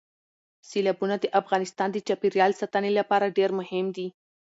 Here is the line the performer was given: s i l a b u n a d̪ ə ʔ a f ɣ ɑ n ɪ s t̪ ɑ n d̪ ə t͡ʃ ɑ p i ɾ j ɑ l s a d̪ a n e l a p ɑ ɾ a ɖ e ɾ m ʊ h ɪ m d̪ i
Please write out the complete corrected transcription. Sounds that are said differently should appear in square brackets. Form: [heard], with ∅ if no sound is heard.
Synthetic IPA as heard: s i l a b u n a d̪ ə ʔ a f ɣ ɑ n ɪ s t̪ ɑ n d̪ ə t͡ʃ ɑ p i ɾ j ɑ l s a [t̪] a n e l a p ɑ ɾ a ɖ e ɾ m ʊ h ɪ m d̪ i